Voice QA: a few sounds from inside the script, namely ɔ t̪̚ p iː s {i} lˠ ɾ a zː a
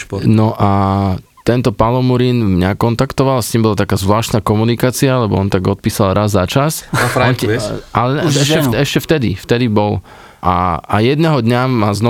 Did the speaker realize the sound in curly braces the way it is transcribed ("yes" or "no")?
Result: no